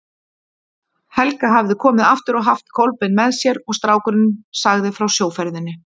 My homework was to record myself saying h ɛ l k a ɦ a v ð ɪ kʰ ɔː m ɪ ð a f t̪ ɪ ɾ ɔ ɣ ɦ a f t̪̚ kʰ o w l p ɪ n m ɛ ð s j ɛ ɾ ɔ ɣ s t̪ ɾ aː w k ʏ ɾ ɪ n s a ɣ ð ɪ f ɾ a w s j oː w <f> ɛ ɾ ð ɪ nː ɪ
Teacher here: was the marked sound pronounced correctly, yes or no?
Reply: yes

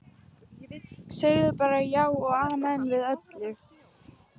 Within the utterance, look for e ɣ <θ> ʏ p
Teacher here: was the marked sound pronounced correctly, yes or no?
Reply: no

